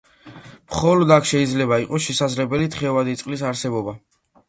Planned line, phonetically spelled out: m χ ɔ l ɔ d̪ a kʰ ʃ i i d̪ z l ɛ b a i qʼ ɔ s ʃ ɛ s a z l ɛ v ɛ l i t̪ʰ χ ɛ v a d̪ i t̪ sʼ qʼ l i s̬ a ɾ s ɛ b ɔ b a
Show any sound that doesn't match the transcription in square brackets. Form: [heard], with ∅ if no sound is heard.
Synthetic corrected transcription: m χ ɔ l ɔ d̪ a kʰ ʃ [ɛ] i d̪ z l ɛ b a i qʼ ɔ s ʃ ɛ s a z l ɛ [b] ɛ l i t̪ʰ χ ɛ v a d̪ i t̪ sʼ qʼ l i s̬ a ɾ s ɛ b ɔ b a

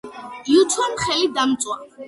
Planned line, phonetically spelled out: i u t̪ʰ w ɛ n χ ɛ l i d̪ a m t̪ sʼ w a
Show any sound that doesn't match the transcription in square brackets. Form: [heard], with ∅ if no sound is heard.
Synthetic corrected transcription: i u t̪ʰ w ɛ [m] χ ɛ l i d̪ a m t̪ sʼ w a

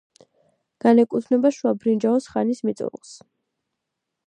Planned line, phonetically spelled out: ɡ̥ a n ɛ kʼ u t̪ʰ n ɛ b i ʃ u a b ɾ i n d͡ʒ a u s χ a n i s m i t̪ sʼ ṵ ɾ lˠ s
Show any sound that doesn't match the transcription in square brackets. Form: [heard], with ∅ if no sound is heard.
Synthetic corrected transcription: ɡ̥ a n ɛ kʼ u t̪ʰ n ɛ b [a] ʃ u a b ɾ i n d͡ʒ a [ɔ] s χ a n i s m i t̪ sʼ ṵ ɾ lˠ s

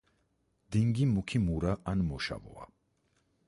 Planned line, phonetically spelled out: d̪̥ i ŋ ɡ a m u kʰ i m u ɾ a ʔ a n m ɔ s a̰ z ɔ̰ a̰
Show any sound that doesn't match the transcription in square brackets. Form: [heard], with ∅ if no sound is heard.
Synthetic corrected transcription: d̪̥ i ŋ ɡ [i] m u kʰ i m u ɾ a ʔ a n m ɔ [ʃ] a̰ [v] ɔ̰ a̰

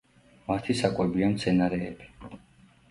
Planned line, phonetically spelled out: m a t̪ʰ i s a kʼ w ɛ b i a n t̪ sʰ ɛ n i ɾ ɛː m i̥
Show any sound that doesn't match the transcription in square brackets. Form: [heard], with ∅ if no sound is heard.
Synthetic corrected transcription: m a t̪ʰ i s a kʼ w ɛ b i a [m] t̪ sʰ ɛ n [a] ɾ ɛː [b] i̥

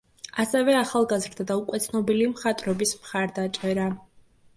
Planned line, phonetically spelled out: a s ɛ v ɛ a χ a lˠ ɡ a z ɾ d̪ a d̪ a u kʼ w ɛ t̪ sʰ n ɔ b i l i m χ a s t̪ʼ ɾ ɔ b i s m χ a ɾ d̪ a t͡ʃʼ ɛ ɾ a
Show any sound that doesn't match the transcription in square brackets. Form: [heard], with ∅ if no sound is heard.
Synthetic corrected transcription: a s ɛ v ɛ a χ a lˠ ɡ a z ɾ d̪ a d̪ a u kʼ w ɛ t̪ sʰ n ɔ b i l i m χ a [∅] t̪ʼ ɾ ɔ b i s m χ a ɾ d̪ a t͡ʃʼ ɛ ɾ a

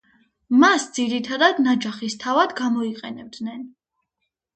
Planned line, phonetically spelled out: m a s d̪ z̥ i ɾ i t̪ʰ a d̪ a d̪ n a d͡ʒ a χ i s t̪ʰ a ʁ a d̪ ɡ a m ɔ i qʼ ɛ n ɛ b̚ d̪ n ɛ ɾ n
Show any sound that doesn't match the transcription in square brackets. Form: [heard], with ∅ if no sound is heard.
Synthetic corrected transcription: m a s d̪ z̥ i ɾ i t̪ʰ a d̪ a d̪ n a d͡ʒ a χ i s t̪ʰ a [v] a d̪ ɡ a m ɔ i qʼ ɛ n ɛ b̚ d̪ n ɛ [∅] n

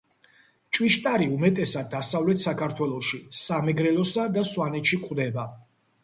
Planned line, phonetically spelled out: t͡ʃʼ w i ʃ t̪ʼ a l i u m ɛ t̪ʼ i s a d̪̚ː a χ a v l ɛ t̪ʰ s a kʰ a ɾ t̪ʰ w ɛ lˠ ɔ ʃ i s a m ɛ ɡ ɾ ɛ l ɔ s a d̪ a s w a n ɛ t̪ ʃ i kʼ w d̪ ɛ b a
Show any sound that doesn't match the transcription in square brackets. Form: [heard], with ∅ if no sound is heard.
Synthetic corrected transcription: t͡ʃʼ w i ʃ t̪ʼ a [ɾ] i u m ɛ t̪ʼ [ɛ] s a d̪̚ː a [s] a v l ɛ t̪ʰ s a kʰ a ɾ t̪ʰ w ɛ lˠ ɔ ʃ i s a m ɛ ɡ ɾ ɛ l ɔ s a d̪ a s w a n ɛ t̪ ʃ i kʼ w d̪ ɛ b a

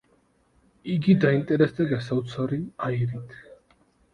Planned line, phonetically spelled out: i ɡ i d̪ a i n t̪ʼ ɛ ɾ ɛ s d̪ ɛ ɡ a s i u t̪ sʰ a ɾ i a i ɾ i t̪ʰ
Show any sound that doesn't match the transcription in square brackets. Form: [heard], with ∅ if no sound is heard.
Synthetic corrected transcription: i ɡ i d̪ a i n t̪ʼ ɛ ɾ ɛ s d̪ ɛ ɡ a s [a] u t̪ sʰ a ɾ i a i ɾ i t̪ʰ

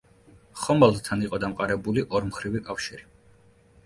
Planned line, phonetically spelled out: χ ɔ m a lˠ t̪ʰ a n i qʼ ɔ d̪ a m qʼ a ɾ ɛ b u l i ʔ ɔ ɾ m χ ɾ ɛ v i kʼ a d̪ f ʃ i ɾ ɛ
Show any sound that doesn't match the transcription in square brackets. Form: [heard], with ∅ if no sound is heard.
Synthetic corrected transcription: χ ɔ m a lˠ t̪ʰ a n i qʼ ɔ d̪ a m qʼ a ɾ ɛ b u l i ʔ ɔ ɾ m χ ɾ [i] v i kʼ a [∅] f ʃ i ɾ [i]

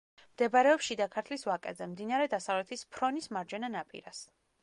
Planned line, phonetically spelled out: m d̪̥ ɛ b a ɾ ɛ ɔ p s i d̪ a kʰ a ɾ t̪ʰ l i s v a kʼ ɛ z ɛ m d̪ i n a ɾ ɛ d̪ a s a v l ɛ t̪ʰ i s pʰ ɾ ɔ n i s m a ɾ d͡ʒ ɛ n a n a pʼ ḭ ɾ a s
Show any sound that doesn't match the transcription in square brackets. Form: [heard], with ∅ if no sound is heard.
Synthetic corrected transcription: m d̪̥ ɛ b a ɾ ɛ ɔ p [ʃ] i d̪ a kʰ a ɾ t̪ʰ l i s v a kʼ ɛ z ɛ m d̪ i n a ɾ ɛ d̪ a s a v l ɛ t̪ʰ i s pʰ ɾ ɔ n i s m a ɾ d͡ʒ ɛ n a n a pʼ ḭ ɾ a s

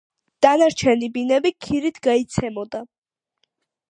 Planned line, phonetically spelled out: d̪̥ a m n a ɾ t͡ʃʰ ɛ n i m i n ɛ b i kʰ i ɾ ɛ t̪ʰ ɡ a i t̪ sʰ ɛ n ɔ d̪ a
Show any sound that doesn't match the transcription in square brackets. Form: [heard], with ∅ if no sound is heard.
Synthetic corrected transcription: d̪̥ a [∅] n a ɾ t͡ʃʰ ɛ n i [b] i n ɛ b i kʰ i ɾ [i] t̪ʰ ɡ a i t̪ sʰ ɛ [m] ɔ d̪ a

